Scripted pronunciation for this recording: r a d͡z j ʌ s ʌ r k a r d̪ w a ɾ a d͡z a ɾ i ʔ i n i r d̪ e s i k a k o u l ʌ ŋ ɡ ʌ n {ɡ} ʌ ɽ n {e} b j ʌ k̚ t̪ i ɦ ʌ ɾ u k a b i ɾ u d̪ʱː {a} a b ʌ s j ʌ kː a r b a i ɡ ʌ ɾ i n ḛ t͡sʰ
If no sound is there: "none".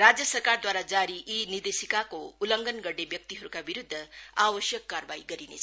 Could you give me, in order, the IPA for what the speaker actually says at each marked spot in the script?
ɡ, e, ʌ

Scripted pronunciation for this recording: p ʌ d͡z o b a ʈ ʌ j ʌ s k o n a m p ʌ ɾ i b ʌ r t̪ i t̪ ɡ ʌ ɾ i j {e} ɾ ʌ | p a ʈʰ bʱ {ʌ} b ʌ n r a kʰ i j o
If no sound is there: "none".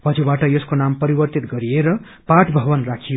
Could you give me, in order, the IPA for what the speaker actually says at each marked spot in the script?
e, ʌ

